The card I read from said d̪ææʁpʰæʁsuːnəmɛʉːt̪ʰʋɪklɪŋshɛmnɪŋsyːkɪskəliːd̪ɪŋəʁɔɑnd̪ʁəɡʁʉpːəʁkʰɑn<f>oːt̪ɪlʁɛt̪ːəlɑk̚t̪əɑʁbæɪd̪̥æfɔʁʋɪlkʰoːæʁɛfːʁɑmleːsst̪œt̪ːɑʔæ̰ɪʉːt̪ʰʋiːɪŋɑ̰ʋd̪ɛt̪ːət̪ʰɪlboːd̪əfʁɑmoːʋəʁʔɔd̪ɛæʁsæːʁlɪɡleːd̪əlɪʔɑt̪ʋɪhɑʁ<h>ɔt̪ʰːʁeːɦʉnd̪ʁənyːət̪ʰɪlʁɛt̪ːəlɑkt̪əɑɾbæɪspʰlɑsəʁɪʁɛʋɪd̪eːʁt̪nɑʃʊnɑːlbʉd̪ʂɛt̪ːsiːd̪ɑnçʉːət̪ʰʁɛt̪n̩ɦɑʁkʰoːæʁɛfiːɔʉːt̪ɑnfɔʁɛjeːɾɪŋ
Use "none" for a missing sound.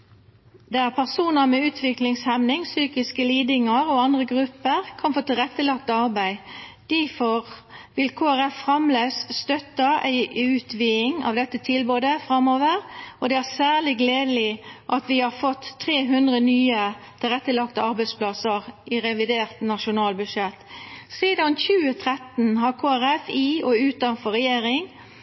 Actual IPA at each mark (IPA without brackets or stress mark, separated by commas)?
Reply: f, f